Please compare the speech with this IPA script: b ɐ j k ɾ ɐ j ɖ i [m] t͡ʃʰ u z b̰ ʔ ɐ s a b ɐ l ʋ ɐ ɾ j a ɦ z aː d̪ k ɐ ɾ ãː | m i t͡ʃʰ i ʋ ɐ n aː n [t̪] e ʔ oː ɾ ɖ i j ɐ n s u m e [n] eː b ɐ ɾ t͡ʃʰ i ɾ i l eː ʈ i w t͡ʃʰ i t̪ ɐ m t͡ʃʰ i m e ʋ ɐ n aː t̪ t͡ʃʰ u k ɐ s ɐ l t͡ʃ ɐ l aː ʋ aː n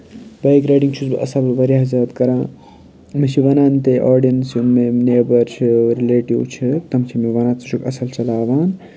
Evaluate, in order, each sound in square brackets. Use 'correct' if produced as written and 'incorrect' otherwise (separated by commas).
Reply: incorrect, correct, correct